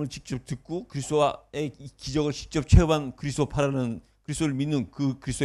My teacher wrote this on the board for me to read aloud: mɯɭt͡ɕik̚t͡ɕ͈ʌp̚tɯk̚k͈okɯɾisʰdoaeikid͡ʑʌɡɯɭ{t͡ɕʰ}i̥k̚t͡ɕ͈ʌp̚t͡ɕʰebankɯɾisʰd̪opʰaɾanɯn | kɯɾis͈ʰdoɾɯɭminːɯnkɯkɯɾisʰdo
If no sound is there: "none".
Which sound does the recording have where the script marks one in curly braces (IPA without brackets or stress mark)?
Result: t͡ɕ